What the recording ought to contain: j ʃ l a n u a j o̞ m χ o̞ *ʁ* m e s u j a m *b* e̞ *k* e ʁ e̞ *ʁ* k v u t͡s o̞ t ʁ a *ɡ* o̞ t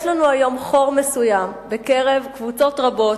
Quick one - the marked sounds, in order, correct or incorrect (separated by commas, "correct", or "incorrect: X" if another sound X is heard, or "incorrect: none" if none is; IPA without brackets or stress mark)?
correct, correct, correct, incorrect: v, incorrect: b